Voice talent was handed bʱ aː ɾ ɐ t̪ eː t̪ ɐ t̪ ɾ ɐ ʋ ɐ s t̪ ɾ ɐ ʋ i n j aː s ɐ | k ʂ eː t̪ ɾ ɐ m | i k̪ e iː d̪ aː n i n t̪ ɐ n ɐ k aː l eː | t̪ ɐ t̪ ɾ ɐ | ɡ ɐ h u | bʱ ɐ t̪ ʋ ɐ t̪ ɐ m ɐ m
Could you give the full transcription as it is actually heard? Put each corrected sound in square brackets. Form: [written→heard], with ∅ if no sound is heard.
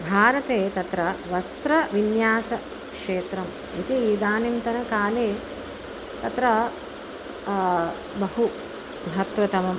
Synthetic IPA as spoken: bʱ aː ɾ ɐ t̪ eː t̪ ɐ t̪ ɾ ɐ ʋ ɐ s t̪ ɾ ɐ ʋ i n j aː s ɐ | k ʂ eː t̪ ɾ ɐ m | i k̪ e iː d̪ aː n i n t̪ ɐ n ɐ k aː l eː | t̪ ɐ t̪ ɾ ɐ | [ɡ→b] ɐ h u | bʱ ɐ t̪ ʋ ɐ t̪ ɐ m ɐ m